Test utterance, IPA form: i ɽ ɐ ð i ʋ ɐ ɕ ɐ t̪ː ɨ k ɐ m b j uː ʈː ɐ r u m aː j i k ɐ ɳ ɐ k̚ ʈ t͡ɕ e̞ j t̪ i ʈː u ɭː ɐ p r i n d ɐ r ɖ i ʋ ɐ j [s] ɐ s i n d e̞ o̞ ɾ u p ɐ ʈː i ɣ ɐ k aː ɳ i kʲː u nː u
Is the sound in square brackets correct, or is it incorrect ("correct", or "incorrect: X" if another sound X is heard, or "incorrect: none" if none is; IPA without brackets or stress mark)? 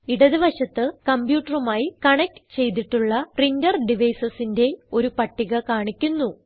correct